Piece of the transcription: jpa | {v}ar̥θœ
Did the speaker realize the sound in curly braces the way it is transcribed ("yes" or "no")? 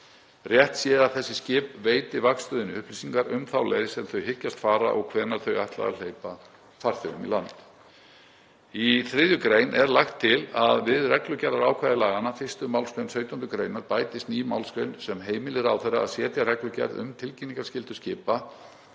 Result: no